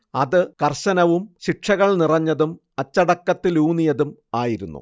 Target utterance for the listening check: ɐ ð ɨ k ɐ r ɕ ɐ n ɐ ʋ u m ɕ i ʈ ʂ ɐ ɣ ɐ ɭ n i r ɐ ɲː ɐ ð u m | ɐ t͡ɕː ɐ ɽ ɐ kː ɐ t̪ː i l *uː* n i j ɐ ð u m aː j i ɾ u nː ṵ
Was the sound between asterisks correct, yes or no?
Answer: yes